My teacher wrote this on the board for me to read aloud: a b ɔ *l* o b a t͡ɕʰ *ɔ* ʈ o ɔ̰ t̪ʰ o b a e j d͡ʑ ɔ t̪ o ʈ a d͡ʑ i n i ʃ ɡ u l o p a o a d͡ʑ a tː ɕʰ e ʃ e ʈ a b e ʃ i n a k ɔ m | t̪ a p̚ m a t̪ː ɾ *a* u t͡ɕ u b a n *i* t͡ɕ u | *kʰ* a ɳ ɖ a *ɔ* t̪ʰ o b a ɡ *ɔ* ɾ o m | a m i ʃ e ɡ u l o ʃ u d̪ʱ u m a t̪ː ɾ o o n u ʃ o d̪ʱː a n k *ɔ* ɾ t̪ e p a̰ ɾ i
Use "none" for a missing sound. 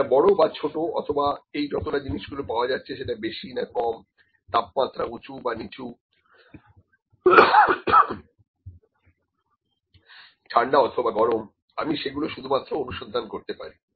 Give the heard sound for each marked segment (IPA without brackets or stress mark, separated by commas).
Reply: ɽ, o, a, i, ʈʰ, ɔ, ɔ, o